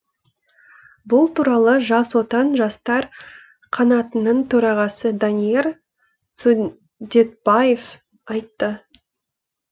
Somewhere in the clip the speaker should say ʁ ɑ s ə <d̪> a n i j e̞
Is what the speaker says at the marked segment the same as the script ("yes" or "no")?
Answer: yes